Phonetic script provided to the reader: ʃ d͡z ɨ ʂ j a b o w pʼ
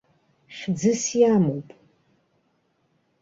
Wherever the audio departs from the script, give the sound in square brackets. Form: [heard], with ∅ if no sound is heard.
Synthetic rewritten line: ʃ d͡z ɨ [s] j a [m] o w pʼ

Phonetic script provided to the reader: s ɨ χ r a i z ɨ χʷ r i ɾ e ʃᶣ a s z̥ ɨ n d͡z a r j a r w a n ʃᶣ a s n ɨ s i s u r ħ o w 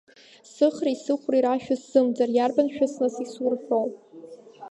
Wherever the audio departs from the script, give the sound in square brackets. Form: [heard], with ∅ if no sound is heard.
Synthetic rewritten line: s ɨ χ r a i [s] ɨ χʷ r i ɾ [a] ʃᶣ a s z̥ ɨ [m] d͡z a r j a r [b] a n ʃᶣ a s n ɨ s i s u r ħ o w

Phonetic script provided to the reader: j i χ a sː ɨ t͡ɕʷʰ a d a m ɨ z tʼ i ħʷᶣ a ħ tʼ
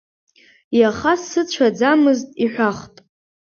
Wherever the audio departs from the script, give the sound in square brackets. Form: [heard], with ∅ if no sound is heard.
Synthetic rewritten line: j [a] χ a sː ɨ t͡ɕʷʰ a [d͡z] a m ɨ z tʼ i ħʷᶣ a [χ] tʼ

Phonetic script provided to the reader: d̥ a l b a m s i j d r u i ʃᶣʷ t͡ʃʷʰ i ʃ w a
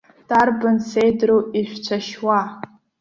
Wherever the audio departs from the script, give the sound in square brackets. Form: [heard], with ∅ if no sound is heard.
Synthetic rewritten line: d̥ a [r] b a [n] s [e] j d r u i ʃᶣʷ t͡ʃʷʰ [a] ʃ w a

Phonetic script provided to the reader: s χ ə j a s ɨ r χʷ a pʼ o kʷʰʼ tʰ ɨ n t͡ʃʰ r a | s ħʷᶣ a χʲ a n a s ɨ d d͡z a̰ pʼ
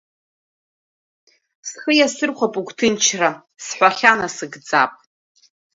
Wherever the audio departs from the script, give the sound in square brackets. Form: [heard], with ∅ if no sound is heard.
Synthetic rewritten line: s χ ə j a s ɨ r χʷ a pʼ [u] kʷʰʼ tʰ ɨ n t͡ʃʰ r a | s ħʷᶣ a χʲ a n a s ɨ [ɡ] d͡z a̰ pʼ

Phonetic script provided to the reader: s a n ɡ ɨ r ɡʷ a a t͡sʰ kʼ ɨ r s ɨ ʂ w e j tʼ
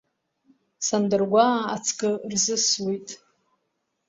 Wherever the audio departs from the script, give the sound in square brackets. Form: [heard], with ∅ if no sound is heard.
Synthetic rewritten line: s a n [d] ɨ r ɡʷ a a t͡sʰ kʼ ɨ r [z] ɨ [s] w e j tʼ

